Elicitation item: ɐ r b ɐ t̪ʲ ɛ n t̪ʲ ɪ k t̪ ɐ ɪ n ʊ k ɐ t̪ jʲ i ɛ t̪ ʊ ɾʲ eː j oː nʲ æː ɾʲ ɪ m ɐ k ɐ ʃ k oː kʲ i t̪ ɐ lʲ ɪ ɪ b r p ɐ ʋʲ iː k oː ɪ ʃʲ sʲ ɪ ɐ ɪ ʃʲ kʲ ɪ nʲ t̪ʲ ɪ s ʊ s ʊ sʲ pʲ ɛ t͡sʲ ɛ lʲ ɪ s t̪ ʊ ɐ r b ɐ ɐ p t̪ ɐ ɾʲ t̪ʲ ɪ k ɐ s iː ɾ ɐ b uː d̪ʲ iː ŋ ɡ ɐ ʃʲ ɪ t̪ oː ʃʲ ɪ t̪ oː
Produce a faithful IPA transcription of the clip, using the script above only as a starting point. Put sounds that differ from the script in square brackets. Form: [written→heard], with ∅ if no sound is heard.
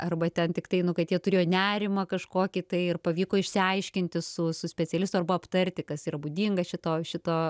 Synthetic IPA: ɐ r b ɐ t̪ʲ ɛ n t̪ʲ ɪ k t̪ ɐ ɪ n ʊ k ɐ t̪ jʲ i ɛ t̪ ʊ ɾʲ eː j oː nʲ æː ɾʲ ɪ m ɐ k ɐ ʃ k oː kʲ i t̪ ɐ [lʲ→∅] ɪ ɪ [b→∅] r p ɐ ʋʲ iː k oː ɪ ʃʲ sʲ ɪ ɐ ɪ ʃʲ kʲ ɪ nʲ t̪ʲ ɪ s ʊ s ʊ sʲ pʲ ɛ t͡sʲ ɛ lʲ ɪ s t̪ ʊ ɐ r b ɐ ɐ p t̪ ɐ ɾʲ t̪ʲ ɪ k ɐ s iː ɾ ɐ b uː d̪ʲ iː ŋ ɡ ɐ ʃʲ ɪ t̪ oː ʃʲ ɪ t̪ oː